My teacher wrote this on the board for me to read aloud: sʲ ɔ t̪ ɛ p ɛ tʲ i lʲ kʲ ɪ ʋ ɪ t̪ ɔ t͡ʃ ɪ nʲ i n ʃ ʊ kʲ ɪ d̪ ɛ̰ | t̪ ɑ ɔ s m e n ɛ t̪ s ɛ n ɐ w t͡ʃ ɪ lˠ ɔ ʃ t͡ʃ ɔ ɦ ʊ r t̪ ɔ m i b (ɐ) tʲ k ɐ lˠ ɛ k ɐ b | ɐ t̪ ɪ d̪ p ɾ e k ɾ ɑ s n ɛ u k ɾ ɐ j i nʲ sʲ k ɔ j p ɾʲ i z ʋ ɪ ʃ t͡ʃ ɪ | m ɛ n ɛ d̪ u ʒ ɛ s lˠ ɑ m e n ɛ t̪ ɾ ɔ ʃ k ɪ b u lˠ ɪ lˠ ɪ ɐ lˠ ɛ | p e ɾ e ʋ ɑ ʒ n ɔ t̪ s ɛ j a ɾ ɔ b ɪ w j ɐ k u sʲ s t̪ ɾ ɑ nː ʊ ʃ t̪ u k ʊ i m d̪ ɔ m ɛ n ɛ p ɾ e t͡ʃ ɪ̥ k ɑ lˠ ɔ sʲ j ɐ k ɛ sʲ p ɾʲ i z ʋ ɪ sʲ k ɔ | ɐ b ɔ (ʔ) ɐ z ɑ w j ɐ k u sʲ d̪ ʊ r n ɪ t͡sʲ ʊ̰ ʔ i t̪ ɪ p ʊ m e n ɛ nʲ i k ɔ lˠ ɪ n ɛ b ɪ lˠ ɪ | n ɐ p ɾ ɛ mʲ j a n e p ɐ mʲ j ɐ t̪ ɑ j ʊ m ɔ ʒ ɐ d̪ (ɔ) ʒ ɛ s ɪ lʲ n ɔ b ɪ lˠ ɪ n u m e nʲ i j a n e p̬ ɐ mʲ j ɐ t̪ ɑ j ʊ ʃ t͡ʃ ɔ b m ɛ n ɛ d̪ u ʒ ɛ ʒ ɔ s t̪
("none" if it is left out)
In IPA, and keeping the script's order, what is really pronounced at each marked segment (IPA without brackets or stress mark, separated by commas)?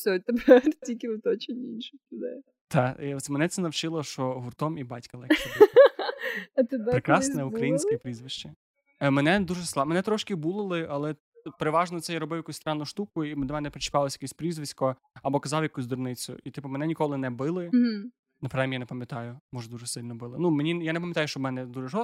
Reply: ɑ, k, u